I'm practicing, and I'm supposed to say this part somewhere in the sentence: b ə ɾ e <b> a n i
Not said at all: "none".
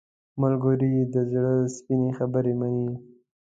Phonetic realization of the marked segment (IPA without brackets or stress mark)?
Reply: m